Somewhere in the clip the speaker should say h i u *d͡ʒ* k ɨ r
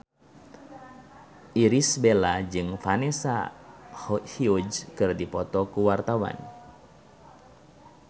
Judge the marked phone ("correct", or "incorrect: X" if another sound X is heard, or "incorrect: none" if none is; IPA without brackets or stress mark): correct